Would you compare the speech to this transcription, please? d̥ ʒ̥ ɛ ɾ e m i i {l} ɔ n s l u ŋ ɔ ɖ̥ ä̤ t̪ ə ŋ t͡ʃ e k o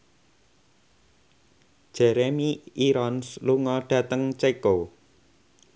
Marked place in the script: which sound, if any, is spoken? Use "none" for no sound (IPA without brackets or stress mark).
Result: ɾ